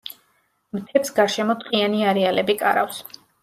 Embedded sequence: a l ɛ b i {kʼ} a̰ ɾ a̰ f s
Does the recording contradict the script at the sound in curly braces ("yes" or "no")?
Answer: no